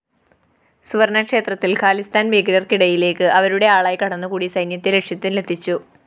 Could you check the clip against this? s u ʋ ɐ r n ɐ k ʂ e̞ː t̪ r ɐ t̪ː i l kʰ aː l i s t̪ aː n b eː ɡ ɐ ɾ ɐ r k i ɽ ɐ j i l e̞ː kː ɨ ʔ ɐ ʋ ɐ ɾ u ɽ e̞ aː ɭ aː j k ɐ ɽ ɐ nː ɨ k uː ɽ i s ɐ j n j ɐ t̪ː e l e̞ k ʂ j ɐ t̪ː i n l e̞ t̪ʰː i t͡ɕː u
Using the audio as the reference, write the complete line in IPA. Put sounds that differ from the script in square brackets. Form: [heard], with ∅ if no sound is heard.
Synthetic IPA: s u ʋ ɐ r n ɐ k ʂ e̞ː t̪ r ɐ t̪ː i l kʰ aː l i s t̪ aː n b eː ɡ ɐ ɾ ɐ r k i ɽ ɐ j i l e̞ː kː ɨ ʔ ɐ ʋ ɐ ɾ u ɽ e̞ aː ɭ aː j k ɐ ɽ ɐ nː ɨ k uː ɽ i s ɐ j n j ɐ t̪ː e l e̞ k ʂ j ɐ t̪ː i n l e̞ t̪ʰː i t͡ɕː u